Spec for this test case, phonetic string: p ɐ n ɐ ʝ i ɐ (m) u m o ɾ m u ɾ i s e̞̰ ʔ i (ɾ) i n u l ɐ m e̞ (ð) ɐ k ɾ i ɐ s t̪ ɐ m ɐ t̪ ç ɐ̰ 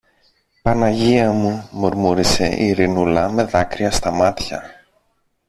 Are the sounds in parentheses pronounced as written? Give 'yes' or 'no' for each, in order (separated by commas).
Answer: yes, yes, yes